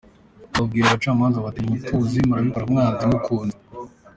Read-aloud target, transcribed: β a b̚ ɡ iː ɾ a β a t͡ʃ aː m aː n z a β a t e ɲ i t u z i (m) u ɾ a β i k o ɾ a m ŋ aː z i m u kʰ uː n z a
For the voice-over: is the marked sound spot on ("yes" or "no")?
yes